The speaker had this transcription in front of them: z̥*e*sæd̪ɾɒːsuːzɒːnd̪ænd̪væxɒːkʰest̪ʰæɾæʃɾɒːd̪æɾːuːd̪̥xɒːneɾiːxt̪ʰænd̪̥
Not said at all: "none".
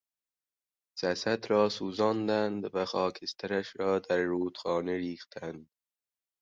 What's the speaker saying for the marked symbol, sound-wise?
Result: æ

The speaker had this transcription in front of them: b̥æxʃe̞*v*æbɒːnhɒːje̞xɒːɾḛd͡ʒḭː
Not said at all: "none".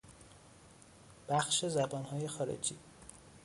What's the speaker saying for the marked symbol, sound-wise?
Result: z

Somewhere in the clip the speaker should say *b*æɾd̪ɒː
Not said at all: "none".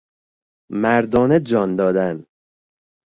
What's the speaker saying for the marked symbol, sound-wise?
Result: m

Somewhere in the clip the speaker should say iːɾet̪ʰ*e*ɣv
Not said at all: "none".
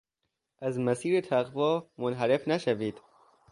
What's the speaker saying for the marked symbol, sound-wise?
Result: æ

